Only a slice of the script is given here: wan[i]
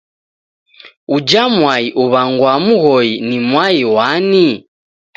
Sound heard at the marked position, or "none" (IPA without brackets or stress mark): i